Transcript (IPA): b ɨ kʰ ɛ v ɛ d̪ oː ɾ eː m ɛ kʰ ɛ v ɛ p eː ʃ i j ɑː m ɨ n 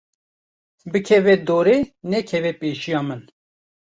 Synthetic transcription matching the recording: b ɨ kʰ ɛ v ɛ d̪ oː ɾ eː n ɛ kʰ ɛ v ɛ p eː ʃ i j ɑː m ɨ n